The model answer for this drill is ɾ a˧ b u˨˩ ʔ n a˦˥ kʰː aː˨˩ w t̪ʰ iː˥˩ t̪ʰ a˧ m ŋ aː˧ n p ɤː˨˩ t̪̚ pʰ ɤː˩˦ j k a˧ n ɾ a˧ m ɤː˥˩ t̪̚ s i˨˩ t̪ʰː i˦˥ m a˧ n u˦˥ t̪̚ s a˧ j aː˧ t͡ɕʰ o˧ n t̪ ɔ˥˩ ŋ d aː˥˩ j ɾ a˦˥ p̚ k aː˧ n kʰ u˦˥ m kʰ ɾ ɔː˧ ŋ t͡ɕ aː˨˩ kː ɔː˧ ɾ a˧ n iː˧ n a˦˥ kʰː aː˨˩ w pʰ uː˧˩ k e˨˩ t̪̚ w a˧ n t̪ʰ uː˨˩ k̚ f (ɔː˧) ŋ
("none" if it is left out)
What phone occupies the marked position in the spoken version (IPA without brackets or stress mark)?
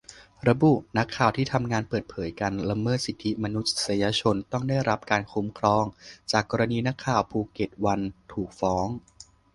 ɔː˦˥